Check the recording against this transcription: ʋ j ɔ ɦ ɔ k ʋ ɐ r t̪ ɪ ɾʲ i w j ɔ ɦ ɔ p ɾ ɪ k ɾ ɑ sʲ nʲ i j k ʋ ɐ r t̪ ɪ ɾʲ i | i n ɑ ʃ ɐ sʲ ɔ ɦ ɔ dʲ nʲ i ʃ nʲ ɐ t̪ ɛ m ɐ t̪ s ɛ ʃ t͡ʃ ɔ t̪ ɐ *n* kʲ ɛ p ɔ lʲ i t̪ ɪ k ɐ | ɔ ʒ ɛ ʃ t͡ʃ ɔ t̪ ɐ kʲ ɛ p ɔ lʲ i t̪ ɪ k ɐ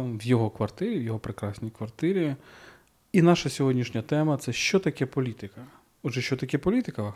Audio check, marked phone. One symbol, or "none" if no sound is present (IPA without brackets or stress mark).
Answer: none